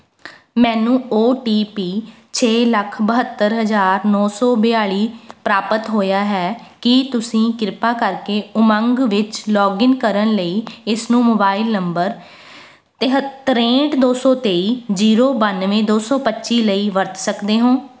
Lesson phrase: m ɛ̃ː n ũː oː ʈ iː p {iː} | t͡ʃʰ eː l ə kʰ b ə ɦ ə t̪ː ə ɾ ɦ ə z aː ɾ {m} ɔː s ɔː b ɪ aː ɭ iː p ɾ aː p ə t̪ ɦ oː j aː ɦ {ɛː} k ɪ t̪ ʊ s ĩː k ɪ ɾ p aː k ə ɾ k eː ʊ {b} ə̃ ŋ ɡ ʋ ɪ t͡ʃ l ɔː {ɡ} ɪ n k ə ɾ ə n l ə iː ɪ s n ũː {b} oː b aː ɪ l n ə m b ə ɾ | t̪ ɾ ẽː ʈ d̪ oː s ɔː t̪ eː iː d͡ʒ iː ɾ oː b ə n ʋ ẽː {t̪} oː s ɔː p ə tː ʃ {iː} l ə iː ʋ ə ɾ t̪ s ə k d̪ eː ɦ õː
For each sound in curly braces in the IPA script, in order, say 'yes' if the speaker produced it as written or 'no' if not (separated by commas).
yes, no, yes, no, yes, no, no, yes